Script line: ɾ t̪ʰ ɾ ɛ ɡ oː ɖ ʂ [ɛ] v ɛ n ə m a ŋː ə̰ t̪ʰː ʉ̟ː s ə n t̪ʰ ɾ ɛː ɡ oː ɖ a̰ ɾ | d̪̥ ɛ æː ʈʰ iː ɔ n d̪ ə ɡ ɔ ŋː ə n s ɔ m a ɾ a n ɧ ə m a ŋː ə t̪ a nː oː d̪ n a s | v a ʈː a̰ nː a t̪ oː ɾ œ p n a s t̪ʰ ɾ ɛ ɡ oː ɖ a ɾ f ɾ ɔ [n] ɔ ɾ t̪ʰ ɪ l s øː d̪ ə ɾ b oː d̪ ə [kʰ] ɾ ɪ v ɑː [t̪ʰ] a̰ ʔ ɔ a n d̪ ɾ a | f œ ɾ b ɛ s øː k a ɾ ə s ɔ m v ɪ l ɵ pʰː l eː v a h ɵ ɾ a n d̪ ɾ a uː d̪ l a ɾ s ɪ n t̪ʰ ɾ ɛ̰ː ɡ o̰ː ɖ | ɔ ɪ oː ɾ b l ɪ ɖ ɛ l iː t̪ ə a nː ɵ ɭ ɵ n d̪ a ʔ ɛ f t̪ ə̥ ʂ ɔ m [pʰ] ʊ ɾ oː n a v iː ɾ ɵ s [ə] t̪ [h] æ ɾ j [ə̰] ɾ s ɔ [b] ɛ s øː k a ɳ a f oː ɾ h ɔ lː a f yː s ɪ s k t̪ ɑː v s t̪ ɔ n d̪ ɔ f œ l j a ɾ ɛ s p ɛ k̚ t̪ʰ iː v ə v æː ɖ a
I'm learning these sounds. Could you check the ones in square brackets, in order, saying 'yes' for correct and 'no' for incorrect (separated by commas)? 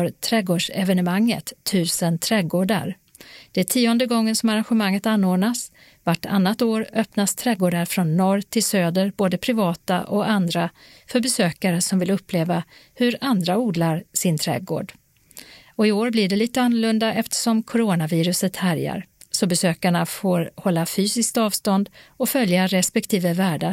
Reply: yes, no, no, no, no, yes, yes, no, yes